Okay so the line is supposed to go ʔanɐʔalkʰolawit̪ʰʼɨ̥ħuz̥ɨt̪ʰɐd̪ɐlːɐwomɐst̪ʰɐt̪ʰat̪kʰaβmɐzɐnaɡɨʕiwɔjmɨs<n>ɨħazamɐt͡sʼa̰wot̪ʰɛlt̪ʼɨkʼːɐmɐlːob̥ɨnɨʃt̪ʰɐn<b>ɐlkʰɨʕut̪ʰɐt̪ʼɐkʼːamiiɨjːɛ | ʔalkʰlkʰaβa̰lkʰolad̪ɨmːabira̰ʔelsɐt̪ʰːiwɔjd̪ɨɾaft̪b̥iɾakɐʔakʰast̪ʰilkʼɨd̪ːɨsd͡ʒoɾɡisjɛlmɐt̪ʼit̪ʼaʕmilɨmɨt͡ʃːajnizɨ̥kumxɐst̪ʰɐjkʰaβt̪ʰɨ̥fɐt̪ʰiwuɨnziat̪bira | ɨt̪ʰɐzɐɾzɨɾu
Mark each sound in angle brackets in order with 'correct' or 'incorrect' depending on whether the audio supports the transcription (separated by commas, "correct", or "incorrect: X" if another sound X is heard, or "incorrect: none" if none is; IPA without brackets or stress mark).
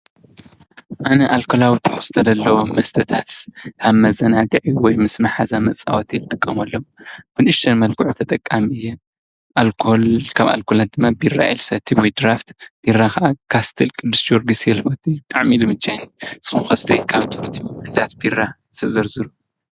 incorrect: m, incorrect: m